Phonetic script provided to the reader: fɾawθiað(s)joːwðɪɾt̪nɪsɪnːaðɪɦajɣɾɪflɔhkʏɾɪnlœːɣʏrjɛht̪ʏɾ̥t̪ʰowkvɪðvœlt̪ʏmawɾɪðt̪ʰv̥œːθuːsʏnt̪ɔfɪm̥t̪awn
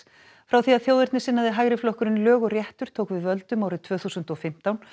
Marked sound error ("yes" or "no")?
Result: yes